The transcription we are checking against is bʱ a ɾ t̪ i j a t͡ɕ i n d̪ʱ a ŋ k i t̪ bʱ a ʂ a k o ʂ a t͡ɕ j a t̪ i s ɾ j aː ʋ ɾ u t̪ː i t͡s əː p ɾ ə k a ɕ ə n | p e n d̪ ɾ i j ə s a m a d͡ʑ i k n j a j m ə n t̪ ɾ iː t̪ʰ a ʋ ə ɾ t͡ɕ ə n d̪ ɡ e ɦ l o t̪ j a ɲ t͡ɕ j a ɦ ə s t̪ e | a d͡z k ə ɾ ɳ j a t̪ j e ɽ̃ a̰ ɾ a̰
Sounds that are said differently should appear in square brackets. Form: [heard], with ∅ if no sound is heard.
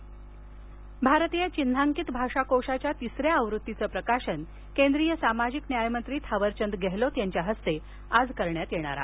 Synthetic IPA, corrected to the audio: bʱ a ɾ t̪ i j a t͡ɕ i n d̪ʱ a ŋ k i t̪ bʱ a ʂ a k o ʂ a t͡ɕ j a t̪ i s ɾ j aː ʋ ɾ u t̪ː i t͡s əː p ɾ ə k a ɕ ə n | [k] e n d̪ ɾ i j ə s a m a d͡ʑ i k n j a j m ə n t̪ ɾ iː t̪ʰ a ʋ ə ɾ t͡ɕ ə n d̪ ɡ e ɦ l o t̪ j a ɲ t͡ɕ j a ɦ ə s t̪ e | a d͡z k ə ɾ ɳ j a t̪ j e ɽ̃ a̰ ɾ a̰